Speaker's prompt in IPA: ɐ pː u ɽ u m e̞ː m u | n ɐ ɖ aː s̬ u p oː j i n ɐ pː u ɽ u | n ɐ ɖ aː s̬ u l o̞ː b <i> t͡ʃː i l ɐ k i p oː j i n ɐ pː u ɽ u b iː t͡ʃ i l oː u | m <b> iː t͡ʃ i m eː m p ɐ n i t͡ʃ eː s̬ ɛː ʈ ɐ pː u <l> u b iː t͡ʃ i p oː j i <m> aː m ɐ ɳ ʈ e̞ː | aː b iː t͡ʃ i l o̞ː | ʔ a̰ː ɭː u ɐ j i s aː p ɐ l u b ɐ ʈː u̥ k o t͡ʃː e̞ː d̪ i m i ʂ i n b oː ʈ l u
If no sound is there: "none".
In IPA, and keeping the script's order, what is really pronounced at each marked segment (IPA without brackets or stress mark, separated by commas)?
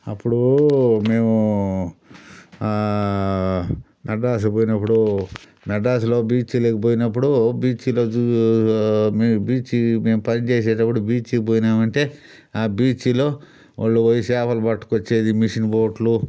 iː, b, ɽ, n